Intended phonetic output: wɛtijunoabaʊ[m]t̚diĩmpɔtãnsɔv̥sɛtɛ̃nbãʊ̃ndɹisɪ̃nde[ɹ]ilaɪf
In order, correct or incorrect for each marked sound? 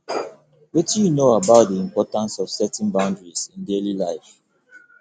incorrect: none, incorrect: l

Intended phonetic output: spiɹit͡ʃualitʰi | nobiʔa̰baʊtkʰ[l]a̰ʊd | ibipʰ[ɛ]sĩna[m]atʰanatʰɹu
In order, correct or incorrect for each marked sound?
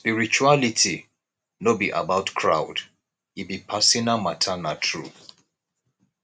incorrect: ɹ, incorrect: a, correct

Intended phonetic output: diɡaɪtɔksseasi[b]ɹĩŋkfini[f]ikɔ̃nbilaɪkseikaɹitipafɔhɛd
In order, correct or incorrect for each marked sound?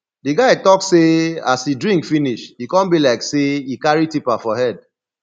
incorrect: d, incorrect: ʃ

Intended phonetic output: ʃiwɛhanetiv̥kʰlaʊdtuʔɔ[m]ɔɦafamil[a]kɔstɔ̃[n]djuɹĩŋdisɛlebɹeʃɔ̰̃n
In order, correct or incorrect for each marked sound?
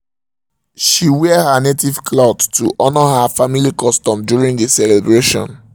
incorrect: n, incorrect: i, incorrect: m

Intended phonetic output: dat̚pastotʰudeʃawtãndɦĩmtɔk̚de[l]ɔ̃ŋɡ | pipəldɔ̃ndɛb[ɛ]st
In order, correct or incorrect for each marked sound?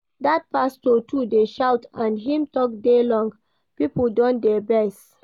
correct, correct

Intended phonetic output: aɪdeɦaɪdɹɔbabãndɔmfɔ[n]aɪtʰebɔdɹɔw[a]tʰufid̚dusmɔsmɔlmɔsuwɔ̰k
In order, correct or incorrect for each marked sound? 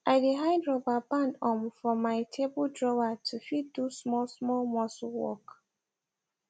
incorrect: m, correct

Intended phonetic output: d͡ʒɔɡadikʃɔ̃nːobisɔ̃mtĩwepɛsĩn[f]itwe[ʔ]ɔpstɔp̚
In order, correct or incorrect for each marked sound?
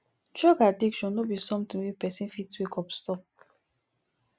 correct, incorrect: k

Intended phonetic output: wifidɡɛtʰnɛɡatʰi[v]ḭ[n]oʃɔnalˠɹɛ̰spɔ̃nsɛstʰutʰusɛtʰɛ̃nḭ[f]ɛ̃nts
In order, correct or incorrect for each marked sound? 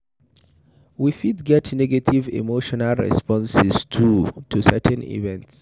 correct, incorrect: m, incorrect: v

